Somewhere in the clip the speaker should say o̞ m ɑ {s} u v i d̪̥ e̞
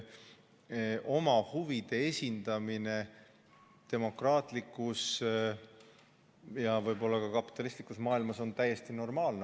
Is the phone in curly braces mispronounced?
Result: yes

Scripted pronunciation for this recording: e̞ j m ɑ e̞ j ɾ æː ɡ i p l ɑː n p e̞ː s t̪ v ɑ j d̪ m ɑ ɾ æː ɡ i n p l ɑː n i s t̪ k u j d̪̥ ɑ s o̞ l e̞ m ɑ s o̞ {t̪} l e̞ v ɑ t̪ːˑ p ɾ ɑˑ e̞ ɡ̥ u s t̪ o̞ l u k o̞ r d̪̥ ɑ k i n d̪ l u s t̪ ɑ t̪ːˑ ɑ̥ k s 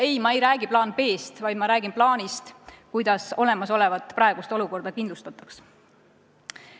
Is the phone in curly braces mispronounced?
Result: yes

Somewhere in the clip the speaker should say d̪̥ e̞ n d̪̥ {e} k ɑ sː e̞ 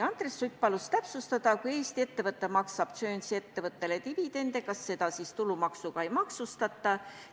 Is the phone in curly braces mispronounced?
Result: no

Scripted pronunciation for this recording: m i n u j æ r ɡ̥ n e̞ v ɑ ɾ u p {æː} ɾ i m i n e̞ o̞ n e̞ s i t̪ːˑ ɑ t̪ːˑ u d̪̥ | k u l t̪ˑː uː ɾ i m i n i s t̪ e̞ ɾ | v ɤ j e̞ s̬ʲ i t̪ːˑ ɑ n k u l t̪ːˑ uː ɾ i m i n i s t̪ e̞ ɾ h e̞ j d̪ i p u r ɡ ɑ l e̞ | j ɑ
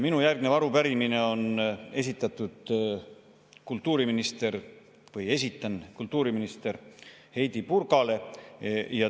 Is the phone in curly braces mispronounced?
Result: yes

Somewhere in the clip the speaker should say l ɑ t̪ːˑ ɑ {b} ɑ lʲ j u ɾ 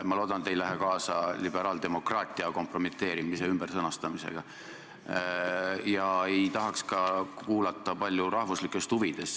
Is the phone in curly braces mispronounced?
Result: yes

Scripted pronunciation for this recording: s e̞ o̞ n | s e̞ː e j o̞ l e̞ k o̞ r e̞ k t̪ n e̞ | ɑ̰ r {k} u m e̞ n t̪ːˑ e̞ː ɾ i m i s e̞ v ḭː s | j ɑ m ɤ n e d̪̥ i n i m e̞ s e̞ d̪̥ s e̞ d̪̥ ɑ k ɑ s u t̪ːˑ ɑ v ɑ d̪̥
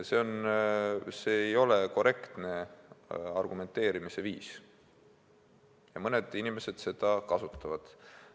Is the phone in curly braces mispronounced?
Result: yes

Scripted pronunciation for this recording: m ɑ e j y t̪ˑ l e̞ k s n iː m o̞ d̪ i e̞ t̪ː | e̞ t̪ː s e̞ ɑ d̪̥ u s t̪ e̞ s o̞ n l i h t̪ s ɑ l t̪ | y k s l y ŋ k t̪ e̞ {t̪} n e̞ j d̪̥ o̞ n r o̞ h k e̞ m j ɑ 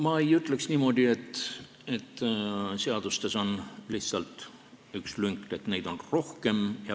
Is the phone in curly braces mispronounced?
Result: no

